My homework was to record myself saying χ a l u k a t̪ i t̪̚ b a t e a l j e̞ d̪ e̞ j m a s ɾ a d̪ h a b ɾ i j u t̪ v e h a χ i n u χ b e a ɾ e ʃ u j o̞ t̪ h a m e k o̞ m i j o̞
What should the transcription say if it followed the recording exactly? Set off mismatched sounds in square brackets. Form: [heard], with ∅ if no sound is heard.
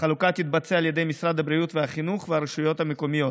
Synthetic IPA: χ a l u k a t̪ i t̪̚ b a [t͡s] e a l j e̞ d̪ e̞ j m [i] s ɾ a d̪ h a b ɾ i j u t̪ v e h a χ i n u χ [v] e a ɾ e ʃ u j o̞ t̪ h a m e k o̞ m i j o̞

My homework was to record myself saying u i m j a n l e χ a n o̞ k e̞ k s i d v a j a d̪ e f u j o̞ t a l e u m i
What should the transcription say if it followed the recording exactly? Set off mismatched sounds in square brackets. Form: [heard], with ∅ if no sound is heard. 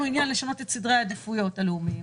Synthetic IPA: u i [n] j a n l e [ʃ] a n o̞ [t] e̞ [t] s i d [ʁ] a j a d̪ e f u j o̞ t a l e u m i

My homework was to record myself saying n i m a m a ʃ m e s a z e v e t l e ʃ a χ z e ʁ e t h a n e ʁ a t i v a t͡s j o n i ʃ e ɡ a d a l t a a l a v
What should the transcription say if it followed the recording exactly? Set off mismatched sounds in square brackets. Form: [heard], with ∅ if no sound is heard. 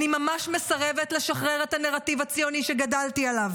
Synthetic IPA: n i m a m a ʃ m e s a [ʁ] e v e t l e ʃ a χ [ʁ] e ʁ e t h a n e ʁ a t i v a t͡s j o n i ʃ e ɡ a d a l t [i] a l a v

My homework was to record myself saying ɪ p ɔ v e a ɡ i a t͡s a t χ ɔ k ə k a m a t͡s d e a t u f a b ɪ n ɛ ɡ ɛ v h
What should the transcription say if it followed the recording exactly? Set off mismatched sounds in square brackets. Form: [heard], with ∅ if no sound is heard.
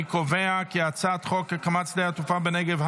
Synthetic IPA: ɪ [k] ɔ v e a [k] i a t͡s a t χ ɔ k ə k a m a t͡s d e a t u f a b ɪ n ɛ ɡ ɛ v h

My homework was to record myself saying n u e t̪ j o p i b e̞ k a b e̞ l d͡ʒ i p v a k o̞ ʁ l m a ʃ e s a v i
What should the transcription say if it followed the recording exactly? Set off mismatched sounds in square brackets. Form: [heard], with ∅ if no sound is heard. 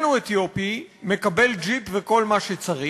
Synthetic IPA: n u e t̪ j o p i [m] e̞ k a b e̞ l d͡ʒ i p v [e] k o̞ [∅] l m a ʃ e [t͡s] a [ʁ] i

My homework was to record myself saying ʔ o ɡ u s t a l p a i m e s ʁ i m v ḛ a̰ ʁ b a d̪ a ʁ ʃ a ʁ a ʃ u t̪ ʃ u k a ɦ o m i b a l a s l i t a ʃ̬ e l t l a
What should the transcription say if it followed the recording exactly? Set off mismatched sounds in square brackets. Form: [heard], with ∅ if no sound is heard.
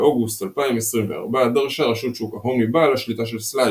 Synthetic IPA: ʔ o ɡ u s t a l p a i m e s ʁ i m v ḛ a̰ ʁ b a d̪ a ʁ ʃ a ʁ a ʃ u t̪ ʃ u k a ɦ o m i b a l a [ʃ] l i t a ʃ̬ e l [s] l a

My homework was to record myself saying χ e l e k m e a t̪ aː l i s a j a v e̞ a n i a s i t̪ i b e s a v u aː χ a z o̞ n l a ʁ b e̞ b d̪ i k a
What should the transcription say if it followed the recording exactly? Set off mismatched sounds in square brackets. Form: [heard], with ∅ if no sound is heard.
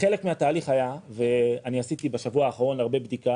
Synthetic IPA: χ e l e k m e a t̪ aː l i [χ] a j a v e̞ a n i a s i t̪ i b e [ʃ] a v u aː χ a [ʁ] o̞ n l a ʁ b e̞ b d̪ i k a

